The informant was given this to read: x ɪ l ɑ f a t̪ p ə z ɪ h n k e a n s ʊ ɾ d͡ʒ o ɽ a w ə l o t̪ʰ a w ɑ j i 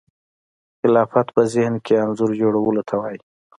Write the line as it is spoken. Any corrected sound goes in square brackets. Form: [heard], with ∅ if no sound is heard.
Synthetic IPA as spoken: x ɪ l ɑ f a t̪ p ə z ɪ h n k e a n [z] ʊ ɾ d͡ʒ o ɽ a w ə l o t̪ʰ a w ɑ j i